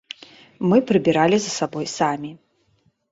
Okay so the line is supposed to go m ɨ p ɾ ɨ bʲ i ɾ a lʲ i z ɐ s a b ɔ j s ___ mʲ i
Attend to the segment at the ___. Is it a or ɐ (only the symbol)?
a